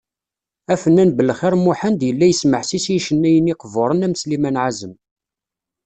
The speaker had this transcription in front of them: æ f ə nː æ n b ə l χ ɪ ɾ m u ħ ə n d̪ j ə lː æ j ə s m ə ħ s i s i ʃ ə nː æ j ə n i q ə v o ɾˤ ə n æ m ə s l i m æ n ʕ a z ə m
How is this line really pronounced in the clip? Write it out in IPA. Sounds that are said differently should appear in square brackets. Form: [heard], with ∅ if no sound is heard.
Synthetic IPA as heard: æ f ə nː æ n b ə l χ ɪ ɾ m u ħ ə n d̪ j ə lː æ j ə s m ə ħ s i s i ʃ ə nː æ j ə n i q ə v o ɾˤ ə n æ m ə s l i m æ n ʕ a z ə m